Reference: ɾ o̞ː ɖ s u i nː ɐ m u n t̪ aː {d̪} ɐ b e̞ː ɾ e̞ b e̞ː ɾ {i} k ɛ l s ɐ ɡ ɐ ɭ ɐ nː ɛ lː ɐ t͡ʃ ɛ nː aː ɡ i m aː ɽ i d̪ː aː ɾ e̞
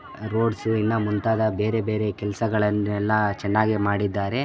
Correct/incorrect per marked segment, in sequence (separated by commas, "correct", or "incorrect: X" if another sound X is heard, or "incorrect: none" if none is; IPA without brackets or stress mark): correct, incorrect: e